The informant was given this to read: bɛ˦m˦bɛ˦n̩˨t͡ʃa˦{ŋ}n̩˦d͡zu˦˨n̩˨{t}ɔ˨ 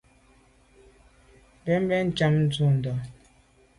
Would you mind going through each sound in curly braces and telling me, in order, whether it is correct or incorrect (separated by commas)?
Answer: incorrect, incorrect